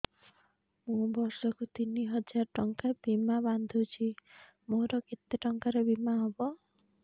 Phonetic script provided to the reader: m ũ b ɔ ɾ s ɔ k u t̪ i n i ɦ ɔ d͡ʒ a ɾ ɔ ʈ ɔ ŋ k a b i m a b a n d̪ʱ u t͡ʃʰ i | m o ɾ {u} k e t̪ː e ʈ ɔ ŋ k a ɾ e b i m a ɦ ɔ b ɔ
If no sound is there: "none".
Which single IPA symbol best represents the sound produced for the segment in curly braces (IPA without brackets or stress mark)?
ɔ